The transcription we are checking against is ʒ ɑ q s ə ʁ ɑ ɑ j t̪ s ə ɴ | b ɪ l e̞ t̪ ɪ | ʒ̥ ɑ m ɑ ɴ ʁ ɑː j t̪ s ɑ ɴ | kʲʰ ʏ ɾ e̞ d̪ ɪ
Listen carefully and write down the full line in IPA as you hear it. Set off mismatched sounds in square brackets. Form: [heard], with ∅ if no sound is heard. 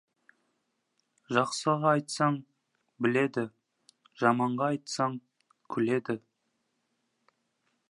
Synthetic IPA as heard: ʒ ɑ q s ə ʁ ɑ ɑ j t̪ s [ɑ] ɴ | b ɪ l e̞ [d̪] ɪ | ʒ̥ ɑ m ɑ ɴ ʁ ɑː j t̪ s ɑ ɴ | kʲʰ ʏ [l] e̞ d̪ ɪ